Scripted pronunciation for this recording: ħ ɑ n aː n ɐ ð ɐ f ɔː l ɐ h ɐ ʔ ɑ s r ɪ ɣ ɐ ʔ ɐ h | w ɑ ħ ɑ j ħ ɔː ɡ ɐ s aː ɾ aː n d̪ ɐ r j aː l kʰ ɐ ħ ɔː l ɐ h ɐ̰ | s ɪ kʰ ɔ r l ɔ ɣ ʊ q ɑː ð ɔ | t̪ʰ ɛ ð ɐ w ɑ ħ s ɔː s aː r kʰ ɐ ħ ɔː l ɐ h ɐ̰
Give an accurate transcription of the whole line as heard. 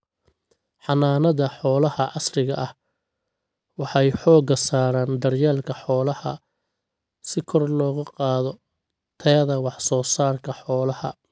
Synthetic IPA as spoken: ħ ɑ n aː n ɐ ð ɐ ħ ɔː l ɐ h ɐ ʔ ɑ s r ɪ ɣ ɐ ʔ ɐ h | w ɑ ħ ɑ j ħ ɔː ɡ ɐ s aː ɾ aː n d̪ ɐ r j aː l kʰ ɐ ħ ɔː l ɐ h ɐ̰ | s ɪ kʰ ɔ r l ɔː ɣ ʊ q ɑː ð ɔ | t̪ʰ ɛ ð ɐ w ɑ ħ s ɔː s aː r kʰ ɐ ħ ɔː l ɐ h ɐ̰